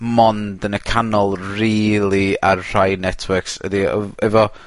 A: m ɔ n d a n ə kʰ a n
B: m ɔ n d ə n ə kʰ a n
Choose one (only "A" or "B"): B